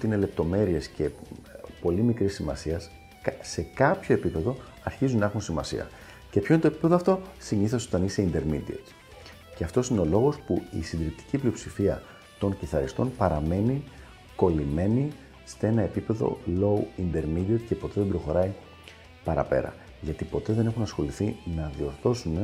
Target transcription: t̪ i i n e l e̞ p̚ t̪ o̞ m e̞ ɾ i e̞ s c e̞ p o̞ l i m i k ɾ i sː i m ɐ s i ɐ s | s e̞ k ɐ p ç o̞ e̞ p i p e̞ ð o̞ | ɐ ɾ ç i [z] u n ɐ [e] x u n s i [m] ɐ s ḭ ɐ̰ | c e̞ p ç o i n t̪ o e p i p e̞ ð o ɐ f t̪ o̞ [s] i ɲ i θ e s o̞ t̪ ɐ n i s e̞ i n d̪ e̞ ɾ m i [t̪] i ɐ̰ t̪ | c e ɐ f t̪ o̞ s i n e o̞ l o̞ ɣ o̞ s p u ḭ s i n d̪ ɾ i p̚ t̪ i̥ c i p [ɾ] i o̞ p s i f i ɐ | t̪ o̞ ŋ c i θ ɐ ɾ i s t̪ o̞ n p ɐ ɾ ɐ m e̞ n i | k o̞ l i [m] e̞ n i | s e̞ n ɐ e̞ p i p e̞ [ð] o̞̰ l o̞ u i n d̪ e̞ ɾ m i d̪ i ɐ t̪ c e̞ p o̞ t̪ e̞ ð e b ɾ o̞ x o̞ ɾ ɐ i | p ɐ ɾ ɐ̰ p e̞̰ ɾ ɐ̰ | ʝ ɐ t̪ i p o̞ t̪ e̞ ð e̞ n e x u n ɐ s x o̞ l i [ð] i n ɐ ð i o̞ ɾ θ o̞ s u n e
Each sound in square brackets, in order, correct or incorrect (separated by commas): correct, correct, correct, correct, incorrect, incorrect, correct, correct, incorrect